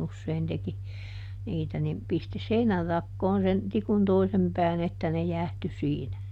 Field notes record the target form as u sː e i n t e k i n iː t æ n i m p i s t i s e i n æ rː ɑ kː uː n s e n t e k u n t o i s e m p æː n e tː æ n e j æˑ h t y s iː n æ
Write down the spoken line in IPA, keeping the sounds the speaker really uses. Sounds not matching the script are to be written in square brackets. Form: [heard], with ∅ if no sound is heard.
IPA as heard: u sː e i n t e k i n iː t æ n i m p i s t i s e i n æ rː ɑ kː [oː] n s e n t [i] k u n t o i s e m p æː n e tː æ n e j æˑ h t y s iː n æ